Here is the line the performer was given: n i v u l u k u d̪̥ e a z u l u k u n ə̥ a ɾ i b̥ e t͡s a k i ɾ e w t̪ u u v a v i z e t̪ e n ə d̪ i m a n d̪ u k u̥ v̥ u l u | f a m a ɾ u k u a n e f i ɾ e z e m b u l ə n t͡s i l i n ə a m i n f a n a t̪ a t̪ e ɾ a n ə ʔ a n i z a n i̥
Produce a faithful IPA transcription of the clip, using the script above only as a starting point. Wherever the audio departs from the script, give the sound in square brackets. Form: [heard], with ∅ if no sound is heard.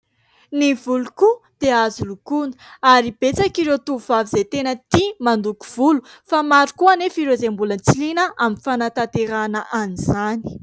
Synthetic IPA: n i v u l u k u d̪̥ e a z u l u k u n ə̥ a ɾ i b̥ e t͡s a k i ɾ e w t̪ u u v a v i z e t̪ e n ə [t̪] i m a n d̪ u k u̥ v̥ u l u | f a m a ɾ u k u a n e f i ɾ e z e m b u l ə n t͡s i l i n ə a m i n f a n a t̪ a t̪ e ɾ a n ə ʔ a n i z a n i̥

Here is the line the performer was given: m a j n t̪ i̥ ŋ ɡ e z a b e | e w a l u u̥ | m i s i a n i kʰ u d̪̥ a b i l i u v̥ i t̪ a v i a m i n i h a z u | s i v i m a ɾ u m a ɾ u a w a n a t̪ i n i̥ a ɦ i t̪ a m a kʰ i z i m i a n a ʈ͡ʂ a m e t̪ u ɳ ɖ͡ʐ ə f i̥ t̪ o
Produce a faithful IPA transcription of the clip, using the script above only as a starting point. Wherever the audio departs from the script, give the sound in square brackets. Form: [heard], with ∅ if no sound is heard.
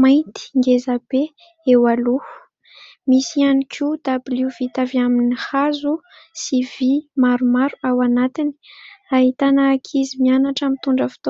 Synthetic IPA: m a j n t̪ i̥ ŋ ɡ e z a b e | e w a l u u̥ | m i s i a n i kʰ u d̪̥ a b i l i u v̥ i t̪ a v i a m i n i h a z u | s i v i m a ɾ u m a ɾ u a w a n a t̪ i n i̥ a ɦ i t̪ a [n] a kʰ i z i m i a n a ʈ͡ʂ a m [i] t̪ u ɳ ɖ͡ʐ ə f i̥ t̪ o

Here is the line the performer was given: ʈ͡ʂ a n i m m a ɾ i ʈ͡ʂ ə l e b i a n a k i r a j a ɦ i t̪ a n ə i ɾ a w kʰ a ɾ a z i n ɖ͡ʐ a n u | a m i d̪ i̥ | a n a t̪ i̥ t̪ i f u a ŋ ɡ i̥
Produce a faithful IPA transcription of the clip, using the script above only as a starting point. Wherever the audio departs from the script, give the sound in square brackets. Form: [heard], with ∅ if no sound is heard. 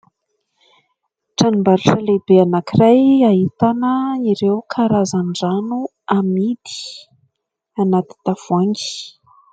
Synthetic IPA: ʈ͡ʂ a n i m [b] a ɾ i ʈ͡ʂ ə l e b [e] a n a k i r a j a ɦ i t̪ a n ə i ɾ [e] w kʰ a ɾ a z [a] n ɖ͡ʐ a n u | a m i d̪ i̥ | a n a t̪ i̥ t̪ [a] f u a ŋ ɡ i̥

